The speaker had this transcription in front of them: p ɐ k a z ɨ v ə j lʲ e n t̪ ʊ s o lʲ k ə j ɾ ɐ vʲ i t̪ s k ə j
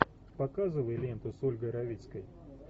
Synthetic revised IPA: p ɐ k a z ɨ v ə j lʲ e n t̪ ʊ s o lʲ ɡ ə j ɾ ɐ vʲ i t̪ s k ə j